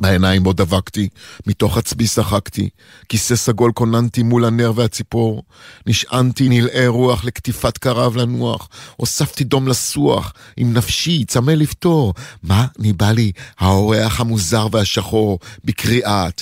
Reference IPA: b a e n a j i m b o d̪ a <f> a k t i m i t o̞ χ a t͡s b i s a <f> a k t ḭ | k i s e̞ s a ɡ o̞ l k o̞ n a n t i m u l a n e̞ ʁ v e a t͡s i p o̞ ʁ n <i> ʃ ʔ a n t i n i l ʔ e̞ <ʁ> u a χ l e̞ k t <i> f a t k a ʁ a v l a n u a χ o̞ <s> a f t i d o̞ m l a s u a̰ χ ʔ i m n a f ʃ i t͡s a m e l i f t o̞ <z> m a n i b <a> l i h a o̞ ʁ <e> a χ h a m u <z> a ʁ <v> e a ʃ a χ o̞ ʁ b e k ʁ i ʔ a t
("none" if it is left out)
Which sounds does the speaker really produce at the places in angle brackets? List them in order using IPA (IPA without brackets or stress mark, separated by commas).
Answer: v, χ, i, ʁ, i, s, ʁ, a, e, z, v